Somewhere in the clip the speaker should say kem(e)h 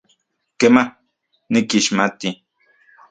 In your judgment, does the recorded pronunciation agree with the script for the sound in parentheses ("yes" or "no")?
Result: no